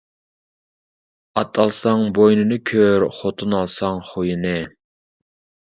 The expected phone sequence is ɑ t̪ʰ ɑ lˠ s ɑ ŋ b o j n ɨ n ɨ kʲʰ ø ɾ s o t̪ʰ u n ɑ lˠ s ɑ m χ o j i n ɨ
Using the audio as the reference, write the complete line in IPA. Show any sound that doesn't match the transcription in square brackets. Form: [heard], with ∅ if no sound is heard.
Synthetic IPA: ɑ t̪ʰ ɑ lˠ s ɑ ŋ b o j n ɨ n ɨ kʲʰ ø ɾ [χ] o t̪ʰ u n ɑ lˠ s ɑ [ŋ] χ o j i n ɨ